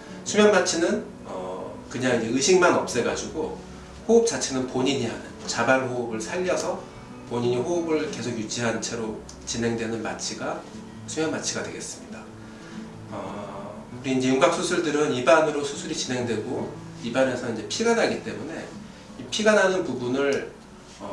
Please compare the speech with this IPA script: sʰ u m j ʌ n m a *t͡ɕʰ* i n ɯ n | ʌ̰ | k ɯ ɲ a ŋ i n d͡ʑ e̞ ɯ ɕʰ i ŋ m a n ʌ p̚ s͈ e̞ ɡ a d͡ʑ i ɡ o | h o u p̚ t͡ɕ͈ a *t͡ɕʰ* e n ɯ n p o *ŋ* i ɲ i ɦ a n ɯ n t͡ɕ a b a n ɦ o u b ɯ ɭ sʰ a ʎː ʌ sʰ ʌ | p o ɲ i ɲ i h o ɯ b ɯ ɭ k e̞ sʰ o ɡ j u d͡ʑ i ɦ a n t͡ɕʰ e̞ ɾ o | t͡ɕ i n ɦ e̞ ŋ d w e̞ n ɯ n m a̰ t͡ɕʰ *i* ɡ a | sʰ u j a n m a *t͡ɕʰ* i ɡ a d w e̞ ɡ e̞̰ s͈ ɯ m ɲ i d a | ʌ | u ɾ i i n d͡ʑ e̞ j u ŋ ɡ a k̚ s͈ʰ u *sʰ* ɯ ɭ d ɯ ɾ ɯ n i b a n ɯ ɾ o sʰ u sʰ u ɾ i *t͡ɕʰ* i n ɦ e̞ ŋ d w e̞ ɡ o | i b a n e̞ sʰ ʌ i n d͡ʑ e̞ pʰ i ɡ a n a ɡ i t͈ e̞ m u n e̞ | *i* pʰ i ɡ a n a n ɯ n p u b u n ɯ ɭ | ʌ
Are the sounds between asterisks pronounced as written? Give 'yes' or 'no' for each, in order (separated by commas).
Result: yes, yes, no, yes, yes, yes, no, yes